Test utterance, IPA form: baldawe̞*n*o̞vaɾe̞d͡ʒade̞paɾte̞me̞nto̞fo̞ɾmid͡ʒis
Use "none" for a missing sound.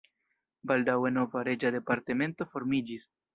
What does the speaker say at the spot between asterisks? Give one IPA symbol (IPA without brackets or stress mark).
n